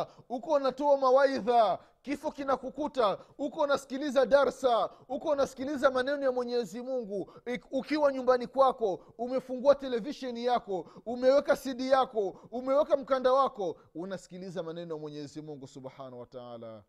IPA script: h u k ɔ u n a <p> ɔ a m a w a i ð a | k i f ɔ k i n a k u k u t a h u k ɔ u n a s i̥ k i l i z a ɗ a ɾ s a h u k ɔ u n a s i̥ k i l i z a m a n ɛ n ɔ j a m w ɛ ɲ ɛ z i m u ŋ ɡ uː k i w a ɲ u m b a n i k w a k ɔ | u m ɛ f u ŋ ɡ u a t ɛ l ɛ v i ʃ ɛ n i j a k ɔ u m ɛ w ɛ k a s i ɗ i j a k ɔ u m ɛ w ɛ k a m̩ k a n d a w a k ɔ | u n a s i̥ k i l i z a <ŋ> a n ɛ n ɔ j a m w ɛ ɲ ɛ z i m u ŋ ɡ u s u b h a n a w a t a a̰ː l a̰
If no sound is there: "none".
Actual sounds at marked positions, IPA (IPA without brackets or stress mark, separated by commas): t, m